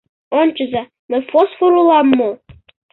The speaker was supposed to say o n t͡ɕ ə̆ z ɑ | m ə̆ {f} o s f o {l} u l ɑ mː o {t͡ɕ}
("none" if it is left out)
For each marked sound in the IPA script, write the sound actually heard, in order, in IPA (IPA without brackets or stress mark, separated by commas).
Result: f, ɾ, none